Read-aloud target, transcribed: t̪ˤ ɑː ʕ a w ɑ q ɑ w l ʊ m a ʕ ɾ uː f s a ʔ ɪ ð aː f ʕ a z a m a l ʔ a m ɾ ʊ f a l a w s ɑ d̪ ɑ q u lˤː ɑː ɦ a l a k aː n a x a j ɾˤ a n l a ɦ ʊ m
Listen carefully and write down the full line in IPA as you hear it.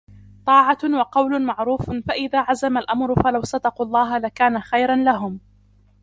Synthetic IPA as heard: t̪ˤ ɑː ʕ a w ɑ q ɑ w l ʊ m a ʕ ɾ uː f f a ʔ ɪ ð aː ʕ a z a m a l ʔ a m ɾ ʊ f a l a w s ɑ d̪ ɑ q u lˤː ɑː ɦ a l a k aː n a x a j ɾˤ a n l a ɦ ʊ m